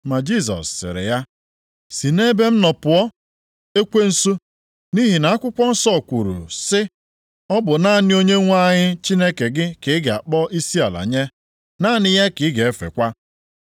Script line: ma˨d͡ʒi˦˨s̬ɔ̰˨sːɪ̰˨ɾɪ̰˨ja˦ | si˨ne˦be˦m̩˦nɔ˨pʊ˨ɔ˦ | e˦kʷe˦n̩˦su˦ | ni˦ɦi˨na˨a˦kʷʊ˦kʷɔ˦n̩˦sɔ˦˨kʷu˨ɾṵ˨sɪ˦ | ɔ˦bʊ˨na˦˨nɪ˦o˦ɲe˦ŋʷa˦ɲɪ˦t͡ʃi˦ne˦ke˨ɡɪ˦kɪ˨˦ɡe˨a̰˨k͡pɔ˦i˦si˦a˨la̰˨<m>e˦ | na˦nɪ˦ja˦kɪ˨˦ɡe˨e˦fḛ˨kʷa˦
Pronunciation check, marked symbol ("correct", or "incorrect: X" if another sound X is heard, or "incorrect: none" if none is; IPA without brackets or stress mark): incorrect: ɲ